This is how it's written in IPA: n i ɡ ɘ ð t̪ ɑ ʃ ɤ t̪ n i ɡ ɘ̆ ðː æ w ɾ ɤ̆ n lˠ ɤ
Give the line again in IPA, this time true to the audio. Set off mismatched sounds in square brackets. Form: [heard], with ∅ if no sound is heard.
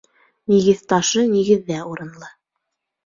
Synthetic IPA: n i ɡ ɘ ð t̪ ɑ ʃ ɤ [∅] n i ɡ ɘ̆ ðː æ [u] ɾ ɤ̆ n lˠ ɤ